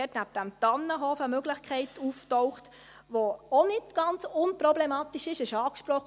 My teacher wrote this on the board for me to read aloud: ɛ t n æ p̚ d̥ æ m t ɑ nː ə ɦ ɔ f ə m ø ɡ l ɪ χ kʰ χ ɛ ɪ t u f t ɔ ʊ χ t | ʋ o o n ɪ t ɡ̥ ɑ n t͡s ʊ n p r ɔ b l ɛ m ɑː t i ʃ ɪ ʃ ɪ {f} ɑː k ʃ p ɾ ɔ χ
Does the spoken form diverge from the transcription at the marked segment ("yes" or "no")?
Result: yes